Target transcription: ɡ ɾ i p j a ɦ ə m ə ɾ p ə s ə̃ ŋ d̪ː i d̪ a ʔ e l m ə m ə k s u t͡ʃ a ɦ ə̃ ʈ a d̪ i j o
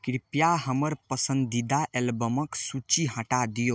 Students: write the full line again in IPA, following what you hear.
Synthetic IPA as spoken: k ɾ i p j a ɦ ə m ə ɾ p ə s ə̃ n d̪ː i d̪ a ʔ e l b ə m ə k s u t͡ʃ i ɦ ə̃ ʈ a d̪ i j o

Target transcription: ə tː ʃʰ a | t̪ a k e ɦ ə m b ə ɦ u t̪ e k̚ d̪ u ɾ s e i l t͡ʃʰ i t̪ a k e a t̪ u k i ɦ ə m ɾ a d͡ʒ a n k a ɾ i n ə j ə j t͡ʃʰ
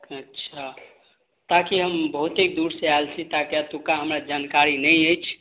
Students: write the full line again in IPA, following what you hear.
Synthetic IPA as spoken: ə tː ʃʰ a | t̪ a k i ɦ ə m b ə ɦ u t̪ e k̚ d̪ u ɾ s e a l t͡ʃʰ i t̪ a k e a t̪ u k a ɦ ə m ɾ a d͡ʒ a n k a ɾ i n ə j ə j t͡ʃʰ

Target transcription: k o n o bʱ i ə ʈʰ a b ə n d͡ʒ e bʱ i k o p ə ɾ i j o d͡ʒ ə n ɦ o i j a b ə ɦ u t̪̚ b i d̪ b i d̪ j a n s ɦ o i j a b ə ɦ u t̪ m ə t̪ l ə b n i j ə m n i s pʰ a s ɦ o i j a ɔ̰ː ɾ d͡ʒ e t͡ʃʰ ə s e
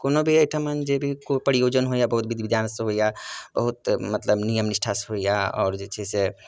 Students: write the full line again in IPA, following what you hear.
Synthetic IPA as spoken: k o n o bʱ i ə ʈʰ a m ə n d͡ʒ e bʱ i k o p ə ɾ i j o d͡ʒ ə n ɦ o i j a b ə ɦ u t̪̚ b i d̪ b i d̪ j a n s ɦ o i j a b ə ɦ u t̪ m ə t̪ l ə b n i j ə m n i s ʈʰ a s ɦ o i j a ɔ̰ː ɾ d͡ʒ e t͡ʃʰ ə s e

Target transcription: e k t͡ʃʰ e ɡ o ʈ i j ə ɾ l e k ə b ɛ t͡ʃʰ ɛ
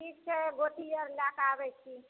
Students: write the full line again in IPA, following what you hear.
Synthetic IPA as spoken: i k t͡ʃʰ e ɡ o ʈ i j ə ɾ l a k a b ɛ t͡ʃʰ i

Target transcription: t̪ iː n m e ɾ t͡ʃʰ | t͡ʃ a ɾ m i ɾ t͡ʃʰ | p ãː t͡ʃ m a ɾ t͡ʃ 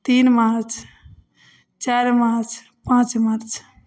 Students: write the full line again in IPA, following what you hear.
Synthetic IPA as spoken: t̪ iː n m a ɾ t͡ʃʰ | t͡ʃ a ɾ m a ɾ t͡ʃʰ | p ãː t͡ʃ m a ɾ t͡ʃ

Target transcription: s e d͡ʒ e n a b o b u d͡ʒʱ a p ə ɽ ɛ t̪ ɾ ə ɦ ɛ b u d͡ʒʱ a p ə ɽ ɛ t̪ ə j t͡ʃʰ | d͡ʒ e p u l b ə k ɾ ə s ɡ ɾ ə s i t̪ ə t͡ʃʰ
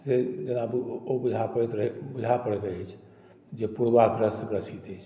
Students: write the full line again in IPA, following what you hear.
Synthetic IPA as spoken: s e d͡ʒ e n a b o b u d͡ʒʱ a p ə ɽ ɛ t̪ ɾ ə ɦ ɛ b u d͡ʒʱ a p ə ɽ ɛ t̪ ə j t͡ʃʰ | d͡ʒ e p u ɾ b a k ɾ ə s ɡ ɾ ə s i t̪ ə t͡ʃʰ

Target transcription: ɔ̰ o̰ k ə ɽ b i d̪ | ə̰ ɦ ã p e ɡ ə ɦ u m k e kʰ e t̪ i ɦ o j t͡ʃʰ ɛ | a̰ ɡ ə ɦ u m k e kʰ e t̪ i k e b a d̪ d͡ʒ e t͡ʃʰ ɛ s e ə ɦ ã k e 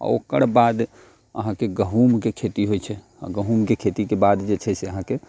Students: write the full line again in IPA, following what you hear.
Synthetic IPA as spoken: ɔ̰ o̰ k ə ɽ b a d̪ | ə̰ ɦ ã k e ɡ ə ɦ u m k e kʰ e t̪ i ɦ o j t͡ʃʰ ɛ | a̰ ɡ ə ɦ u m k e kʰ e t̪ i k e b a d̪ d͡ʒ e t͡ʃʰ ɛ s e ə ɦ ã k e

